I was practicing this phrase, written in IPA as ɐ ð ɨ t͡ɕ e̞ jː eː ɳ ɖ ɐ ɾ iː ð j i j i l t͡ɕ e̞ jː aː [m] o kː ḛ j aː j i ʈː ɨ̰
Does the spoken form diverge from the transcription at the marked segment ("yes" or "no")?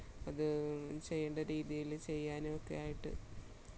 yes